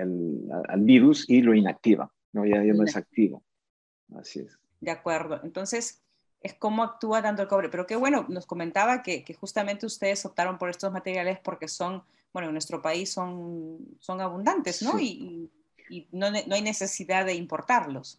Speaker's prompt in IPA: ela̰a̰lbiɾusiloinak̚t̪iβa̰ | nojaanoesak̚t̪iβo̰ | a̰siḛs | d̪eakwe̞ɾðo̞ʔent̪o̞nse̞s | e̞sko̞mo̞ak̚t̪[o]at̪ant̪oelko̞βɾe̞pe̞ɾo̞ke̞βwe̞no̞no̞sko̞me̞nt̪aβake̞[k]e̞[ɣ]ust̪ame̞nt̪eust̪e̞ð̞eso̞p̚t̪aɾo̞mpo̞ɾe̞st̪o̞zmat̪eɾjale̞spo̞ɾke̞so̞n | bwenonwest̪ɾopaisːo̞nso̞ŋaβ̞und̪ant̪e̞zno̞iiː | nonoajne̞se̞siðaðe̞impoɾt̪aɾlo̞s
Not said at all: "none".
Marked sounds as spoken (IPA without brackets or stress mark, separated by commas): u, k, x